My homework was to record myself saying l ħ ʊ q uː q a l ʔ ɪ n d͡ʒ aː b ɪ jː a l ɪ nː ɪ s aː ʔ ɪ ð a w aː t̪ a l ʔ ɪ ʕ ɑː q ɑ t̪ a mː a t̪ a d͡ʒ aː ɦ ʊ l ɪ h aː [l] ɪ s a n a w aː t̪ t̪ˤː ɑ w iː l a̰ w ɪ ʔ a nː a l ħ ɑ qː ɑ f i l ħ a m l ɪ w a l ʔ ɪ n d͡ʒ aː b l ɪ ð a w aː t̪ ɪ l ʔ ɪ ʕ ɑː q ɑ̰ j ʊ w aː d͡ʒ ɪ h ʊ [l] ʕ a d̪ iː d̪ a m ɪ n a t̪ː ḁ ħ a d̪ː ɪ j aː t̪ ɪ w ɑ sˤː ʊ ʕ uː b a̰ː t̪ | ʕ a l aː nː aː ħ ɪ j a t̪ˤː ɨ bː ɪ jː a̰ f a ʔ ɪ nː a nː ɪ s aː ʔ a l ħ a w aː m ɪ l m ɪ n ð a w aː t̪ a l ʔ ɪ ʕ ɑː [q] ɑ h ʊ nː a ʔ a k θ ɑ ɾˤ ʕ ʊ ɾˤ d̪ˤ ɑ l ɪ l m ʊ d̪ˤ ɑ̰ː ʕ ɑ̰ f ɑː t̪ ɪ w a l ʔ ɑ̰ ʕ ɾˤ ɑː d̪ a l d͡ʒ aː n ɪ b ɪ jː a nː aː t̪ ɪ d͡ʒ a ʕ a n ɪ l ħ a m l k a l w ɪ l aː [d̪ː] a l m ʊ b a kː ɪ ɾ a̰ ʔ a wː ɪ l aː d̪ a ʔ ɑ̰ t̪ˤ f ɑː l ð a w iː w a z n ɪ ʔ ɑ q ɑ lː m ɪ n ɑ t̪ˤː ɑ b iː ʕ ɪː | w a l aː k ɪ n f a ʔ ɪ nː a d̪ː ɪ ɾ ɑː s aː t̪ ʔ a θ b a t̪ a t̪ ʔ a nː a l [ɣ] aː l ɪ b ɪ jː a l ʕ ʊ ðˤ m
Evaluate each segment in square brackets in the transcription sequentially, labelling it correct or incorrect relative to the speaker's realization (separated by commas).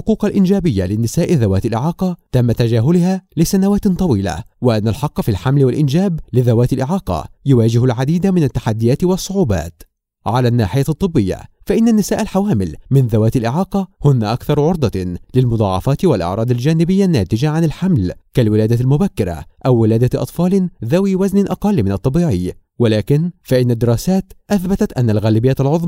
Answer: correct, correct, correct, incorrect, correct